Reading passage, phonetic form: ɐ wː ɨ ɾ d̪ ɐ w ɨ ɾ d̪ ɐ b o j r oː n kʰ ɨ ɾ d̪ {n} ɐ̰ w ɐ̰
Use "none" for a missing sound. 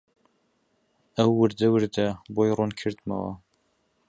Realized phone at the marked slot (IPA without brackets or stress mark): m